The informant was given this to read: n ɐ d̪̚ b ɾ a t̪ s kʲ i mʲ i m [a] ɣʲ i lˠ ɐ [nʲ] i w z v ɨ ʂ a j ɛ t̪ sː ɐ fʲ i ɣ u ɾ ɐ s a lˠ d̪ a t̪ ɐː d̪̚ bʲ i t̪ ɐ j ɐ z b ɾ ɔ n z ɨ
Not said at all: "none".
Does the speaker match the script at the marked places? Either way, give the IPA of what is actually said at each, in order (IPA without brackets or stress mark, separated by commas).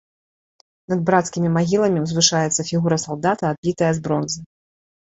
a, mʲ